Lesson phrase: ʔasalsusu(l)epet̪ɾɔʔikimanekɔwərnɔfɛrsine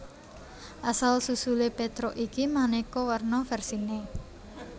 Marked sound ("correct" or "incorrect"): correct